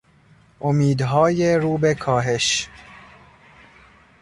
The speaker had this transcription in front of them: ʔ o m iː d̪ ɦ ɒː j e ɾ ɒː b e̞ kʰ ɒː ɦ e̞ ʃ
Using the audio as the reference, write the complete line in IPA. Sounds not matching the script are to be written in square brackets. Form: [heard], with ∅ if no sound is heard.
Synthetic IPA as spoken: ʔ o m iː d̪ ɦ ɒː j e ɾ [uː] b e̞ kʰ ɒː ɦ e̞ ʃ